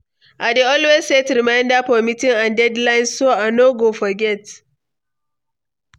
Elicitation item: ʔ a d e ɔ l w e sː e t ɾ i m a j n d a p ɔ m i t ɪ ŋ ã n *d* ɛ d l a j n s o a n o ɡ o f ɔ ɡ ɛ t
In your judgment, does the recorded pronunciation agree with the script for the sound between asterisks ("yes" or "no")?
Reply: yes